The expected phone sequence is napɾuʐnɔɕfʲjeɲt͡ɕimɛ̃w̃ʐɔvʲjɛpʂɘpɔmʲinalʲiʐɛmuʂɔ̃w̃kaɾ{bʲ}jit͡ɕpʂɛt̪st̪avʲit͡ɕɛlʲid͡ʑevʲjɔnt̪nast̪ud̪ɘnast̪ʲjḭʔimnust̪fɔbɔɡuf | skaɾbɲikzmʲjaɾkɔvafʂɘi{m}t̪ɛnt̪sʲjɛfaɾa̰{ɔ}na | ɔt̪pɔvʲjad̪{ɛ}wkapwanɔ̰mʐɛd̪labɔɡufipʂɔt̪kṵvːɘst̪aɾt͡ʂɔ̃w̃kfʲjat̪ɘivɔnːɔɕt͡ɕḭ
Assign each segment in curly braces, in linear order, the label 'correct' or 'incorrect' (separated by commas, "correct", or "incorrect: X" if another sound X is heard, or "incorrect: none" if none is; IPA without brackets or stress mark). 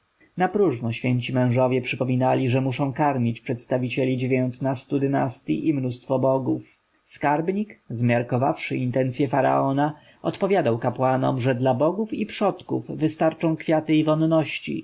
incorrect: mʲ, incorrect: n, correct, incorrect: a